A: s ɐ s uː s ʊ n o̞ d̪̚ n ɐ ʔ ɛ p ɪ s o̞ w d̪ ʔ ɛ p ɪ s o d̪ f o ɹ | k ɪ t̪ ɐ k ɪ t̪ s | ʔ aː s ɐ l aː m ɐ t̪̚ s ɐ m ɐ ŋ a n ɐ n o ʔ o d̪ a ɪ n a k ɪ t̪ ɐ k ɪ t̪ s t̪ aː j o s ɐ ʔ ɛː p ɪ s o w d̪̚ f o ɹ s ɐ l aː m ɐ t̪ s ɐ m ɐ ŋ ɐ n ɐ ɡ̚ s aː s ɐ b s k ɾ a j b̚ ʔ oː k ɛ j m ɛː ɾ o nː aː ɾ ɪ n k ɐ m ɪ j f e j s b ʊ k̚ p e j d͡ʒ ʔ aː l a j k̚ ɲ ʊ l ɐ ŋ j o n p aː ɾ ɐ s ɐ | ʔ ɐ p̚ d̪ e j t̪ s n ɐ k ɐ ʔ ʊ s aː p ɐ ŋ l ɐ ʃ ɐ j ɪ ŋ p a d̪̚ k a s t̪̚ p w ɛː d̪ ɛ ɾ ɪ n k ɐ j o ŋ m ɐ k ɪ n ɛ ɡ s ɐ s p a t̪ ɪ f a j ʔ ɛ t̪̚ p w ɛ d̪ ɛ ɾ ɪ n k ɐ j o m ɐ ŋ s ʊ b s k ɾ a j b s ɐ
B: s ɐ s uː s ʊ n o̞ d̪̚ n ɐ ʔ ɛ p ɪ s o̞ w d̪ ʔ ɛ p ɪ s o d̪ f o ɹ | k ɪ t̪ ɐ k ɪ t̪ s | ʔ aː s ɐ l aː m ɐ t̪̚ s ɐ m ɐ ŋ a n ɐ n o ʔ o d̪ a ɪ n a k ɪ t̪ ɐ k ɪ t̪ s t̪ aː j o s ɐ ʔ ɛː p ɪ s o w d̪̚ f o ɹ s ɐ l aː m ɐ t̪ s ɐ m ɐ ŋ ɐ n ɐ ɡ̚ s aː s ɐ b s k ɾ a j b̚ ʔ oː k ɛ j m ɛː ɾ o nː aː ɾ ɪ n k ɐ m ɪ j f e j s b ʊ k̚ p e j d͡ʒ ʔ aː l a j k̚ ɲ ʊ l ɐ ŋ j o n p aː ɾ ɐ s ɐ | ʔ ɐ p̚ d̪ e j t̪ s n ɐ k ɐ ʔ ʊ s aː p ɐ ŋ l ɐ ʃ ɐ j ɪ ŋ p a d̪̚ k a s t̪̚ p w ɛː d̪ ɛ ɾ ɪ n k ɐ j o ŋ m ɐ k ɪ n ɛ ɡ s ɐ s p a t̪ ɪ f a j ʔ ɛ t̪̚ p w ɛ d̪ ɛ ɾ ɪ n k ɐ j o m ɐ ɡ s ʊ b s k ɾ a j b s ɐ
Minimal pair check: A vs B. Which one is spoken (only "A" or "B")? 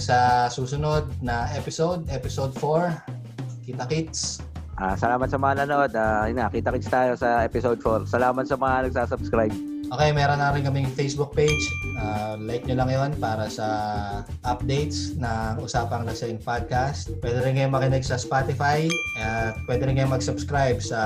B